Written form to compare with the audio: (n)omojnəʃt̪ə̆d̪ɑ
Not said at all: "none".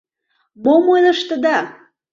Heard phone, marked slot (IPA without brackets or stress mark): m